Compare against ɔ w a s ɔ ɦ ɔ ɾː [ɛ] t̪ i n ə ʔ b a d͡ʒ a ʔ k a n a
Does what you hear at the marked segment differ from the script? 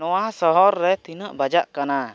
no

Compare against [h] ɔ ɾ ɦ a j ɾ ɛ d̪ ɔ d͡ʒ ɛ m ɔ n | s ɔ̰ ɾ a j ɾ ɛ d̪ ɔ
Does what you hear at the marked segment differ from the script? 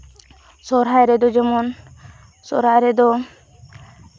yes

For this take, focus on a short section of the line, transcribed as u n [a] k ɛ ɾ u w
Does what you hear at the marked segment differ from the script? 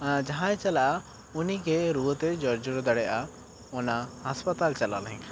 yes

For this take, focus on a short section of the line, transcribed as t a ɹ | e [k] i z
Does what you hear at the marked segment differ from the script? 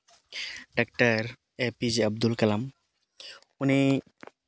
yes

